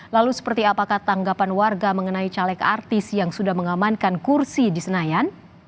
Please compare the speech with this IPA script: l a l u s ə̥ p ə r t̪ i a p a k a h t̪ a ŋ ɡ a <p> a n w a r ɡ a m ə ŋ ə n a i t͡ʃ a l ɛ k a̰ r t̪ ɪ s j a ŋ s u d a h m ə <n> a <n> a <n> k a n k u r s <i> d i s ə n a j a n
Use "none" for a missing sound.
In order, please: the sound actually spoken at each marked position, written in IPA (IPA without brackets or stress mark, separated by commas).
p, ŋ, m, n, i